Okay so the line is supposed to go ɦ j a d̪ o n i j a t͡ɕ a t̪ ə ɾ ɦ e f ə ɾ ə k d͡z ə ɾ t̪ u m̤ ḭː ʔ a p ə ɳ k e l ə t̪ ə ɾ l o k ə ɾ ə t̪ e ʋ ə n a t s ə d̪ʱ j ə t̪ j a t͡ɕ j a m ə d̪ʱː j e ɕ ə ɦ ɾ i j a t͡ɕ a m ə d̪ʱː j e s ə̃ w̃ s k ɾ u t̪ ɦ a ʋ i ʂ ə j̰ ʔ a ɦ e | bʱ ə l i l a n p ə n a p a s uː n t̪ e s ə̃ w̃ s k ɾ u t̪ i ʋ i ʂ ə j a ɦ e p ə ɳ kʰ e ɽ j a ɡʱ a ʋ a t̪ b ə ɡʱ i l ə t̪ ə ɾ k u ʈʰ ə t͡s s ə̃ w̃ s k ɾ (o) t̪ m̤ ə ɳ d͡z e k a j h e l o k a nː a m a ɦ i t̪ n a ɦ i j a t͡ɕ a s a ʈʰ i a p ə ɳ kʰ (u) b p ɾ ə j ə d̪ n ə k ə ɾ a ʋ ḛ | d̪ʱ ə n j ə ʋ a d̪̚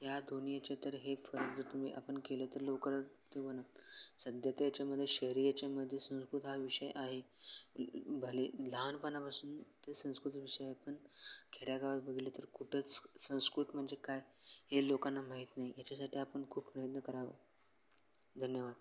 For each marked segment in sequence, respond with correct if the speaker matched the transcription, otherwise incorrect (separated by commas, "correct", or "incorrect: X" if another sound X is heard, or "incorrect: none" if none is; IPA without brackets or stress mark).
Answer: incorrect: u, incorrect: uː